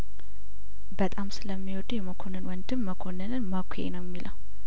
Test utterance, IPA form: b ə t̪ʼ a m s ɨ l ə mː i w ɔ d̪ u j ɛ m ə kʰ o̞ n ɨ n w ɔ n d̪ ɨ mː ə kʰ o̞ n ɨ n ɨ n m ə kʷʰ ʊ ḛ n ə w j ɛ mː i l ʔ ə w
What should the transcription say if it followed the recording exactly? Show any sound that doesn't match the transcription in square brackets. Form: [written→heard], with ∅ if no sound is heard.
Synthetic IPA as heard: b ə t̪ʼ a m s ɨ l ə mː i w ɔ d̪ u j ɛ m ə kʰ o̞ n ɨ n w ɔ n d̪ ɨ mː ə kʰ o̞ n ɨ n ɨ n m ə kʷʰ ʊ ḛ n ə w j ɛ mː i l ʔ ə w